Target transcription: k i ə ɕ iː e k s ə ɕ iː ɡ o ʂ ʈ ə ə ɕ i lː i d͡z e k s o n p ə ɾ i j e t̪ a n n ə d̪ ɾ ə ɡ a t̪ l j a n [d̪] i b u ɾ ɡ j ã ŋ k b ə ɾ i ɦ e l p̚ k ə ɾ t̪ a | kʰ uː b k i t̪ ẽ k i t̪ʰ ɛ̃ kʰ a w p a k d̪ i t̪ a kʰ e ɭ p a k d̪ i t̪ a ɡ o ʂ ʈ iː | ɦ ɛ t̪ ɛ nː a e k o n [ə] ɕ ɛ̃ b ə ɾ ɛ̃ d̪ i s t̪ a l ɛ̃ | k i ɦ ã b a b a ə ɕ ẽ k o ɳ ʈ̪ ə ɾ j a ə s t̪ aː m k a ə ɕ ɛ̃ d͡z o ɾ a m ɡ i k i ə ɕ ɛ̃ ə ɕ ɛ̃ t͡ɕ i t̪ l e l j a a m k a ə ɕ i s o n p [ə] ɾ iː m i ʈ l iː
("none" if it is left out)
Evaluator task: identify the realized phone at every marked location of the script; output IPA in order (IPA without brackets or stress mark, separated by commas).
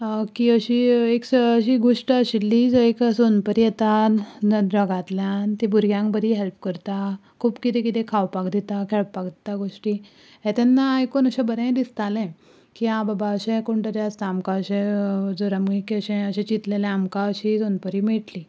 t̪, ə, ə